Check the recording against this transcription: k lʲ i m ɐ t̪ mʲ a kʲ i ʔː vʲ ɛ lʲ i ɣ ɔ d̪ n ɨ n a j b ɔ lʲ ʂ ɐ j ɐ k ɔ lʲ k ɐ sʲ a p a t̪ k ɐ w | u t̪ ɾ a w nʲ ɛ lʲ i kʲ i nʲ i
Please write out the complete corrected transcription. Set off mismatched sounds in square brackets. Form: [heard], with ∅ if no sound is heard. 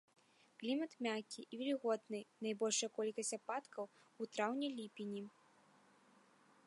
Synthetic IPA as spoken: k lʲ i m ɐ t̪ mʲ a kʲ i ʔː vʲ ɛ lʲ i ɣ ɔ d̪ n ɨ n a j b ɔ lʲ ʂ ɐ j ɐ k ɔ lʲ k ɐ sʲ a p a t̪ k ɐ w | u t̪ ɾ a w nʲ ɛ lʲ i [pʲ] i nʲ i